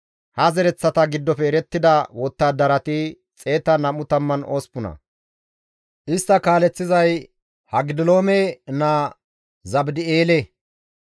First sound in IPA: h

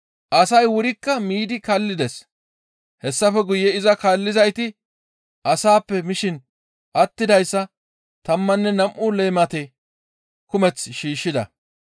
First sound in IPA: ʔ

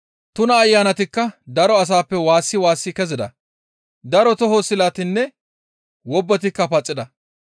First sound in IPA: t̪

